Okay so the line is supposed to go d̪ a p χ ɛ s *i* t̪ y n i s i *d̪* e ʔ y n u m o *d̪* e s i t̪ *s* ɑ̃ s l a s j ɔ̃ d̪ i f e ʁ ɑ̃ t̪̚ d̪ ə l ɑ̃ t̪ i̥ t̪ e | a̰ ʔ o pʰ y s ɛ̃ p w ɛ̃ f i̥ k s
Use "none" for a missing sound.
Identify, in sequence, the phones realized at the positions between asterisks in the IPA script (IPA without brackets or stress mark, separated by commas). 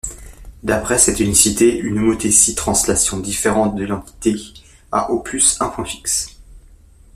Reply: ɛ, t̪, t̪, χ